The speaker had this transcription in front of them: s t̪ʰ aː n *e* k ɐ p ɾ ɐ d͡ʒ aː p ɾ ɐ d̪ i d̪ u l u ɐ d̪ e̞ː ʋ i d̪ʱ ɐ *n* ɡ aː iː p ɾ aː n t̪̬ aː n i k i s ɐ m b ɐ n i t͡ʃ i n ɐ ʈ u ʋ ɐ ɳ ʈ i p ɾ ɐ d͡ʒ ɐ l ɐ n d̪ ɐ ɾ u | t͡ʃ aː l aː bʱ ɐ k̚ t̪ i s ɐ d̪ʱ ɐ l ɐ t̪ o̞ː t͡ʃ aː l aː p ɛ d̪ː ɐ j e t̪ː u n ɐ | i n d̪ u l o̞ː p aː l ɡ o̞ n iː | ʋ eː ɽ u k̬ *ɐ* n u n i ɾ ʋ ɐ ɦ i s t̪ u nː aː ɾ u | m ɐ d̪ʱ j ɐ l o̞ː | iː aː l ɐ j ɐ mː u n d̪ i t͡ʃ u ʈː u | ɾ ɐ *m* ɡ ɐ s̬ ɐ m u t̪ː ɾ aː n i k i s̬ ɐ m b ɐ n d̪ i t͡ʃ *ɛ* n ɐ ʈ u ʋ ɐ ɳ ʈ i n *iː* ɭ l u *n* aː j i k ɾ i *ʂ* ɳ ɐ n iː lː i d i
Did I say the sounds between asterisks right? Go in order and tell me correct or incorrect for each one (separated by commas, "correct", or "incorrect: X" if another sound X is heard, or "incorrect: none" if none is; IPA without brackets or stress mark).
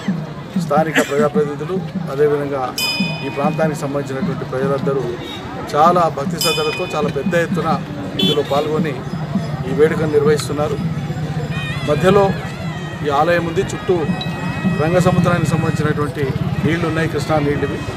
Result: incorrect: i, incorrect: ŋ, correct, incorrect: ŋ, incorrect: i, correct, incorrect: nː, correct